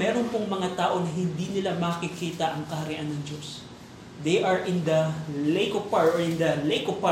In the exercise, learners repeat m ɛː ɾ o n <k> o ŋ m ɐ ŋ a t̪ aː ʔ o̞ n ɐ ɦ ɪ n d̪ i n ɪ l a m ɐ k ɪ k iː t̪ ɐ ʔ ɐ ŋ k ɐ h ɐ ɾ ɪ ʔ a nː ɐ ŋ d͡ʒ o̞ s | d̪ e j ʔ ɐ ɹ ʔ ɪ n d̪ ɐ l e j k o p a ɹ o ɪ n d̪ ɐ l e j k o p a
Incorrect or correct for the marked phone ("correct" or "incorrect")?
incorrect